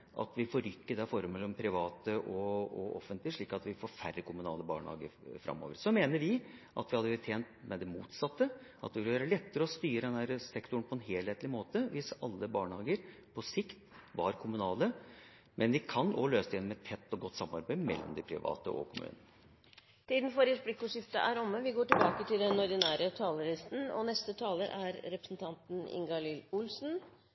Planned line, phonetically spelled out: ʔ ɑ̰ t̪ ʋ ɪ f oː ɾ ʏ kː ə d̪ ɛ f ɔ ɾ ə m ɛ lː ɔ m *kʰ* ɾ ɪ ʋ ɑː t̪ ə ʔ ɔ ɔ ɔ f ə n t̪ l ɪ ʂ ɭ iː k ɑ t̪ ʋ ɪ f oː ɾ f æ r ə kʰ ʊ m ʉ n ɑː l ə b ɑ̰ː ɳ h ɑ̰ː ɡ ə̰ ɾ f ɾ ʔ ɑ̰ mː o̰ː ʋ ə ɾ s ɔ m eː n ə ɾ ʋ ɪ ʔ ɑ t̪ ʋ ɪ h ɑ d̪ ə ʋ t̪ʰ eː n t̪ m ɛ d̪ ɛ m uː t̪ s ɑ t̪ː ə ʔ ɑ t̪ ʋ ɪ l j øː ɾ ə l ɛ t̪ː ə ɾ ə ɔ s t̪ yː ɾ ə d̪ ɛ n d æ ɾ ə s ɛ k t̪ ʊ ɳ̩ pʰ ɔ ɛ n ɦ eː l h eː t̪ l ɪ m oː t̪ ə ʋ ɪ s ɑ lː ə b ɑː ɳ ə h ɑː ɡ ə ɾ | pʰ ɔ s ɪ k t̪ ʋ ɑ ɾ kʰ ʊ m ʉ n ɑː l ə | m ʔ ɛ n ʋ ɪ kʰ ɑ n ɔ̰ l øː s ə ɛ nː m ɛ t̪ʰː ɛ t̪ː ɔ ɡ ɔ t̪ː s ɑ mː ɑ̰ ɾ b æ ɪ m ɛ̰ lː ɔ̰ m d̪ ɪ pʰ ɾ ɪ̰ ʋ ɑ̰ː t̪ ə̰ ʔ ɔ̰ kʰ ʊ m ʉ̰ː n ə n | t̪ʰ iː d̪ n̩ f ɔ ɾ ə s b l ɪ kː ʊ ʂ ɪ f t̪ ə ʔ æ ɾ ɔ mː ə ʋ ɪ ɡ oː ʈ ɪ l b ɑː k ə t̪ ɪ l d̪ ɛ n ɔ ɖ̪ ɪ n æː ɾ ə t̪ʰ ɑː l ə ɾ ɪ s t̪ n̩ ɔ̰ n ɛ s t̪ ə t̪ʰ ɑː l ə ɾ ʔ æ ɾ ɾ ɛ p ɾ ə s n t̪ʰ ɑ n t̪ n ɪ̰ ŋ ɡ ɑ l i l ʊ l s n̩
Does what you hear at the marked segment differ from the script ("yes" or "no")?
yes